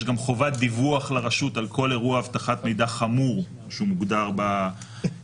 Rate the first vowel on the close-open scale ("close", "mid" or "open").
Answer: open